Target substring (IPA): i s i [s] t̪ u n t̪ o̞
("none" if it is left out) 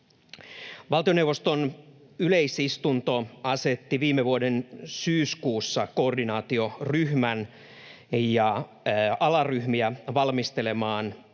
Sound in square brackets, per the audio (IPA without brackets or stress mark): s